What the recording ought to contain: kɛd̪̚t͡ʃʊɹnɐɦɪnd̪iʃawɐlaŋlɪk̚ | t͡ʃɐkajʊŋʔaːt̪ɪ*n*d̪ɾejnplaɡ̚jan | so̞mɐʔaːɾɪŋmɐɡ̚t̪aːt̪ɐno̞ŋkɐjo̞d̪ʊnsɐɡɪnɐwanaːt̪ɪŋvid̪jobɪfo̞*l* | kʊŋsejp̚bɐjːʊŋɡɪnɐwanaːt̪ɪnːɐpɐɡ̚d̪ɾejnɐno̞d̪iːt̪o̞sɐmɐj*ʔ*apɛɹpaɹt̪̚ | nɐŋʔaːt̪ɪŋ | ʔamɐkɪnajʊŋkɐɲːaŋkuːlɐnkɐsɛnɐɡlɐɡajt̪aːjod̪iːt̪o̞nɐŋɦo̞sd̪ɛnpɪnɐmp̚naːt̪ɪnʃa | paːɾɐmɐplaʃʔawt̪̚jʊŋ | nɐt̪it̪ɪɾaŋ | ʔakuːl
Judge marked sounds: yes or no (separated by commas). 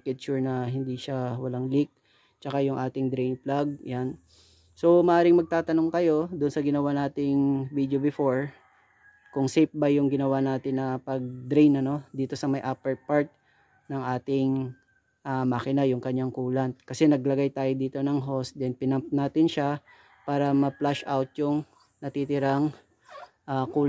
no, no, yes